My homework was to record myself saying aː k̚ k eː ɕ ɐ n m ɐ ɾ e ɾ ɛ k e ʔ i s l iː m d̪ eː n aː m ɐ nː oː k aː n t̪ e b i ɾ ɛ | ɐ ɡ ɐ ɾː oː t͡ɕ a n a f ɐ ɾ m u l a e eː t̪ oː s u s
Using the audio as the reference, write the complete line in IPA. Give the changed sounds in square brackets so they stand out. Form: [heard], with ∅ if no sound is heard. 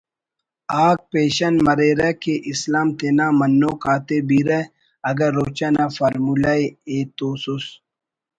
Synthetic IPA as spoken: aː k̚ [p] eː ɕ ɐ n m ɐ ɾ e ɾ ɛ k e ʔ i s l [aː] m [t̪] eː n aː m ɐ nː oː k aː [∅] t̪ e b i ɾ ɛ | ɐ ɡ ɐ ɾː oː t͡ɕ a n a f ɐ ɾ m u l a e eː t̪ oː s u s